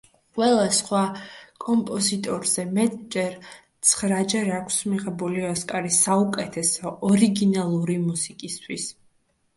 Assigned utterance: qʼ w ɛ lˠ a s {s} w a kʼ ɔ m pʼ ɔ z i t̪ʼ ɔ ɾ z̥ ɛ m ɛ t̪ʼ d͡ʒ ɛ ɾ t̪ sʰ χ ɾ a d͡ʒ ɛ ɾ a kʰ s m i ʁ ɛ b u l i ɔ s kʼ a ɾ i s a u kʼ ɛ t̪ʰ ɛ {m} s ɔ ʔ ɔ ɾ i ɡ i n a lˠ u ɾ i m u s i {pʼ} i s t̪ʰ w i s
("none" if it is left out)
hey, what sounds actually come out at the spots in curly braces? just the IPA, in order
χ, none, kʼ

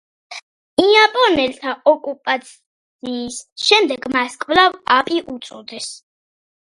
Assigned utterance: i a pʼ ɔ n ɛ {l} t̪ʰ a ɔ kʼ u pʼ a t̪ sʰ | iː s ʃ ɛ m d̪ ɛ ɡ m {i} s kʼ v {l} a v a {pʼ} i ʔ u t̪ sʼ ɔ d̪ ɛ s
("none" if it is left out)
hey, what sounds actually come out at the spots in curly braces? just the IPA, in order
l, a, l, pʼ

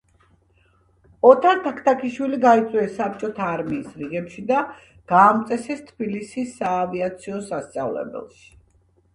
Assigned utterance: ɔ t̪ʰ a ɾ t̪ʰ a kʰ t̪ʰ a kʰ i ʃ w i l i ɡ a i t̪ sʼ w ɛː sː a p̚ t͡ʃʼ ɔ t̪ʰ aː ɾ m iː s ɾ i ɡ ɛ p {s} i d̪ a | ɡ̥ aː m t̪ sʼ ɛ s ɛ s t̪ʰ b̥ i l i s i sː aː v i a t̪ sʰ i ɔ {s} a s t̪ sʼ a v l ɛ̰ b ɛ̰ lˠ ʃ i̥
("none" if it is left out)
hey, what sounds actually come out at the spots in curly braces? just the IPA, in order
ʃ, s

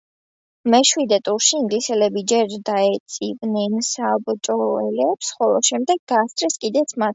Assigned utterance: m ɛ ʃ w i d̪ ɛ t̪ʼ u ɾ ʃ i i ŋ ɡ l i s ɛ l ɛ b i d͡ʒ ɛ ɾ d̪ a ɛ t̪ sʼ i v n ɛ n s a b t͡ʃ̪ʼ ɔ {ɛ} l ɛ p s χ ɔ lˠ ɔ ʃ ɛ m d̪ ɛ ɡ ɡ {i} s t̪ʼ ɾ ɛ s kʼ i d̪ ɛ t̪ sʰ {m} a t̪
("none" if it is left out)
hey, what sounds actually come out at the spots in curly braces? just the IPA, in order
ɛ, a, m

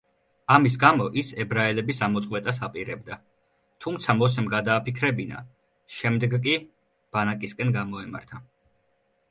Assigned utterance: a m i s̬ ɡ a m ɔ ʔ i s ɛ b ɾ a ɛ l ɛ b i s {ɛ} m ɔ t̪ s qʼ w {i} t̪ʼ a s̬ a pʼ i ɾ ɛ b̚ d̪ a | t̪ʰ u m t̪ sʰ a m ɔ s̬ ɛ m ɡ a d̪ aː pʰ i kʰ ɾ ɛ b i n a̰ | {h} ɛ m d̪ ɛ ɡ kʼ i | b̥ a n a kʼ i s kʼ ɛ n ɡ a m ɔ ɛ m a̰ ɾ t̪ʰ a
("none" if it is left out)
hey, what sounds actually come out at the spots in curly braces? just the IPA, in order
a, ɛ, ʃ

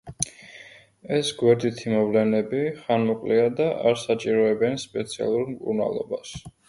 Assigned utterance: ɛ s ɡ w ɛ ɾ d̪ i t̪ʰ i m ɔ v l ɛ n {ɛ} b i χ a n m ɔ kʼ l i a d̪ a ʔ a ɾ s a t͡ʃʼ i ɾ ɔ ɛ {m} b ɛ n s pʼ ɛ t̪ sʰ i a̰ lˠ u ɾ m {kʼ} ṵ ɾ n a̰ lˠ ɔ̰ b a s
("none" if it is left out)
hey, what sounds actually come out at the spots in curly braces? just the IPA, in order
ɛ, none, kʼ

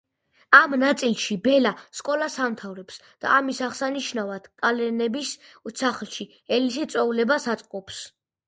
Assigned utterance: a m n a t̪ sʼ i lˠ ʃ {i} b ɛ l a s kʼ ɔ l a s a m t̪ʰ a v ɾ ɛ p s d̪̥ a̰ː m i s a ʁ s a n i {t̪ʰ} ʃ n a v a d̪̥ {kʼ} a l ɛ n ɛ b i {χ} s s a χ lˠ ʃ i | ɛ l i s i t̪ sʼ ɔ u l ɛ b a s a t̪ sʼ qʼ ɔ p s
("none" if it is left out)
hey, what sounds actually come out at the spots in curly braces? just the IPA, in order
i, none, kʼ, none

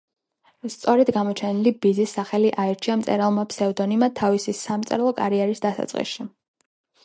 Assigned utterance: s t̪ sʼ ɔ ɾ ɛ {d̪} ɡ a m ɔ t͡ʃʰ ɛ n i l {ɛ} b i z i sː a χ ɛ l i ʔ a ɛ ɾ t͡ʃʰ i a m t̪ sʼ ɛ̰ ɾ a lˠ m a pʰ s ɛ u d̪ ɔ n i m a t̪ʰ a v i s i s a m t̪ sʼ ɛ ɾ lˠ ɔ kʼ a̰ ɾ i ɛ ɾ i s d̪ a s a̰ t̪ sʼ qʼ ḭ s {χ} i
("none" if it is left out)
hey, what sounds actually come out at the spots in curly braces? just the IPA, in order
d̪, i, ʃ

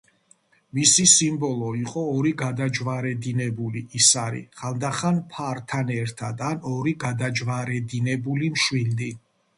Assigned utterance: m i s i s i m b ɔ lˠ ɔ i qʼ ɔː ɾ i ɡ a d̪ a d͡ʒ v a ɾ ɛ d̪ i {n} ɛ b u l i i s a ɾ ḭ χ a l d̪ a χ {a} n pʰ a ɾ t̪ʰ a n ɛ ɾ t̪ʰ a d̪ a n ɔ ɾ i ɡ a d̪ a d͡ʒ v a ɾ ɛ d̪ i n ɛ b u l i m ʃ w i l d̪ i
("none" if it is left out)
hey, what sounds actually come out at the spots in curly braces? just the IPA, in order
n, a

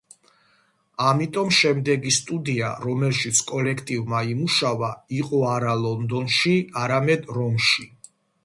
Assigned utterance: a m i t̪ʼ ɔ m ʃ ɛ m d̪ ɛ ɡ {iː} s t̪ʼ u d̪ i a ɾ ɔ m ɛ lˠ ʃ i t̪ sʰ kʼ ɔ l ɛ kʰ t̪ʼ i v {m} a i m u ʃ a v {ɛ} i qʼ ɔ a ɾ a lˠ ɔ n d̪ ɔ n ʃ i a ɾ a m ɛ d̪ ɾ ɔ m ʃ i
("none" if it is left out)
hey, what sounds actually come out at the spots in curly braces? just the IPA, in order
i, m, a

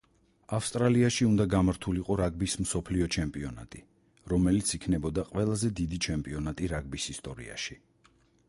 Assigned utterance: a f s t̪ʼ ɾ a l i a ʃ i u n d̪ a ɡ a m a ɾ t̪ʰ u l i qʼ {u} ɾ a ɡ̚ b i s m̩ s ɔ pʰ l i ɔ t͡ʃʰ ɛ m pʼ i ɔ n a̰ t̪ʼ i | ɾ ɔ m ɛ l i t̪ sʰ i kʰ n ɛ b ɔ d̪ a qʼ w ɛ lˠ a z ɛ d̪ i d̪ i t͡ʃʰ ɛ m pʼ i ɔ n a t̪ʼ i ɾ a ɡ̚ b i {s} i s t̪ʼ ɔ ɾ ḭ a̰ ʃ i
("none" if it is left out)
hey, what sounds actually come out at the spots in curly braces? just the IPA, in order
ɔ, s

